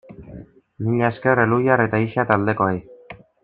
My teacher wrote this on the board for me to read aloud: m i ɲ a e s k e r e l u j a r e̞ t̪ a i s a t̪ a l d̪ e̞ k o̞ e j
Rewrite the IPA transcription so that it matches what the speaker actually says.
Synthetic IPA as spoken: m i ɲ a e s k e r e l u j a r e̞ t̪ a i ʃ a t̪ a l d̪ e̞ k o̞ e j